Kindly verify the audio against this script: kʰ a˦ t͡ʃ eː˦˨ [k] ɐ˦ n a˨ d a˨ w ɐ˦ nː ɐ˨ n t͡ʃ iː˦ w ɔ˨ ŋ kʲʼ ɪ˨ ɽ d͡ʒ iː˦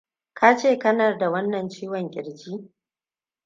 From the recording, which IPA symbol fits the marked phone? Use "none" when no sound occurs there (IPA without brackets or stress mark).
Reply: k